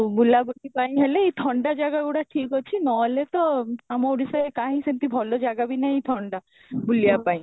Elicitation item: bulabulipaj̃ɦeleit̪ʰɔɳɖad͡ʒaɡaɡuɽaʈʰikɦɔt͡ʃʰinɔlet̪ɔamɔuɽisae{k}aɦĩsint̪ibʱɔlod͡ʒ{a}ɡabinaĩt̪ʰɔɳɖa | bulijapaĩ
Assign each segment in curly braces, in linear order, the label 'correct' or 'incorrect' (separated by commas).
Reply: correct, correct